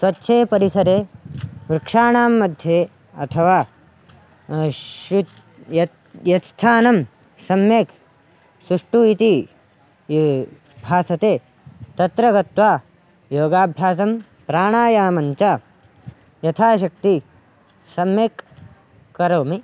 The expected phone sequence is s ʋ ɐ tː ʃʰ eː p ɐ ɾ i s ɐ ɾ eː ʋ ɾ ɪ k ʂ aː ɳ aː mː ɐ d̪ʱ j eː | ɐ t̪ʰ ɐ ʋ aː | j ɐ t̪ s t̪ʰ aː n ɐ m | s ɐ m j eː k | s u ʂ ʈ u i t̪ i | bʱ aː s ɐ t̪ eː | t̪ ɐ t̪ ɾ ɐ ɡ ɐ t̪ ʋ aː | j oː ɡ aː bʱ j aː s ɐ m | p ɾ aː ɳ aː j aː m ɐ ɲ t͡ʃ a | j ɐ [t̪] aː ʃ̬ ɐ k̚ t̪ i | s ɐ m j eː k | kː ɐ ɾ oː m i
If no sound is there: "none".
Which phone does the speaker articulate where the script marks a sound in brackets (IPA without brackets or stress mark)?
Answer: t̪ʰ